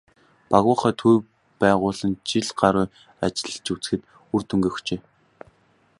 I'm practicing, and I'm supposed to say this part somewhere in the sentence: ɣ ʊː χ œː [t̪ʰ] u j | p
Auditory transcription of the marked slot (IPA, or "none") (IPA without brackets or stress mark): t̪ʰ